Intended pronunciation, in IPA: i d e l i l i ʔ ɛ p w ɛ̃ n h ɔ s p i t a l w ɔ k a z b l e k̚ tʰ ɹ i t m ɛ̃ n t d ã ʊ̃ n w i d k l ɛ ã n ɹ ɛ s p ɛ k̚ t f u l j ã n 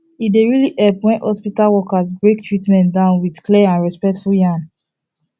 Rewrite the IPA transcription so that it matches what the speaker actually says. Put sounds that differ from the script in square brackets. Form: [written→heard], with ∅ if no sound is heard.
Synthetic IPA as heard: i d e [l→ɹ] i l i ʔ ɛ p w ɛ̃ n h ɔ s p i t a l w ɔ k a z b [l→ɹ] e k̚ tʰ ɹ i t m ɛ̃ n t d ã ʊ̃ n w i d k l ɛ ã n ɹ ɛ s p ɛ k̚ t f u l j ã n